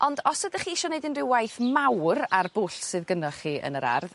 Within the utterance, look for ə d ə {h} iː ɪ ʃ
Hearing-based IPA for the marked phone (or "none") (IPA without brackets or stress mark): χ